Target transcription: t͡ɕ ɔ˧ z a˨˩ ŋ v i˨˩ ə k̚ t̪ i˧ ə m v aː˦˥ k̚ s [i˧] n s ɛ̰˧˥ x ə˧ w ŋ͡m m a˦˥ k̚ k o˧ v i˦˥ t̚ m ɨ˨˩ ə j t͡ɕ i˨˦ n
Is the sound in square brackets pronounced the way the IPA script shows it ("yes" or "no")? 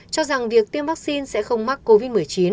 yes